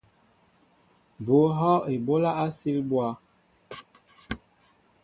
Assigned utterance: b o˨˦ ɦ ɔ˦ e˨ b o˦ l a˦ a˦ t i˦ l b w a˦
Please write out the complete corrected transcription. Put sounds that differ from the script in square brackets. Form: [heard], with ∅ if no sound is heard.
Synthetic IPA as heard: b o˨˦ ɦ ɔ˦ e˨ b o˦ l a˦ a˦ [s] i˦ l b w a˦